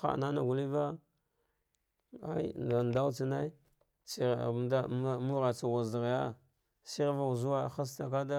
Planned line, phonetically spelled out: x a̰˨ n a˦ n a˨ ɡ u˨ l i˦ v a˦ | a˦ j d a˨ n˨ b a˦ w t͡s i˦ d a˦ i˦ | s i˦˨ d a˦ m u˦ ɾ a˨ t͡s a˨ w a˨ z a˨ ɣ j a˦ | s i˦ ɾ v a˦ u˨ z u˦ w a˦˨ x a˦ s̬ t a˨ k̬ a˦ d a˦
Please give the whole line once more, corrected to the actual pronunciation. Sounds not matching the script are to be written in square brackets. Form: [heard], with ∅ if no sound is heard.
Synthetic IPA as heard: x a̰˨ n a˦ n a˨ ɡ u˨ l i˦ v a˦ | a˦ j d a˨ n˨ [d] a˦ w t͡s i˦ [n] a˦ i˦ | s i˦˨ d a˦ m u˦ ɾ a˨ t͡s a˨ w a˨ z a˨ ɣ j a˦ | s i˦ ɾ v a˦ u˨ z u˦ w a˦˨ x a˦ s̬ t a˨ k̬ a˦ d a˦